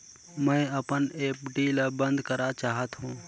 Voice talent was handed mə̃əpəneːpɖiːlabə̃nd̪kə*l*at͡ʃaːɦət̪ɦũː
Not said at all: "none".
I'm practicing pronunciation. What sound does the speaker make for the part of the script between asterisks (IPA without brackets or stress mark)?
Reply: ɾ